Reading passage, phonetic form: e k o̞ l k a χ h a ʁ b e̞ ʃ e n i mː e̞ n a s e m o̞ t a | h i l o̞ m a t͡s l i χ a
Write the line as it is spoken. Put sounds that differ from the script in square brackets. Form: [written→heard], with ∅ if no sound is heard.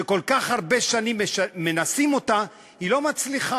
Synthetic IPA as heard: e k o̞ l k a χ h a ʁ b e̞ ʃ [e→a] n i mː e̞ n a s [e→i] m o̞ t a | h i l o̞ m a t͡s l i χ a